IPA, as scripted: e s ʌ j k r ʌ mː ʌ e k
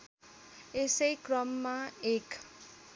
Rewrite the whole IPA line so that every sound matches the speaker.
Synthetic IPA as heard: e s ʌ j k r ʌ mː a e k